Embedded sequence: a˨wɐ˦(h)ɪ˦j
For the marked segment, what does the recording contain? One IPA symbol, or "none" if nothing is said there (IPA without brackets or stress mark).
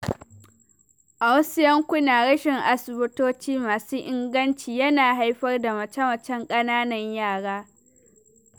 s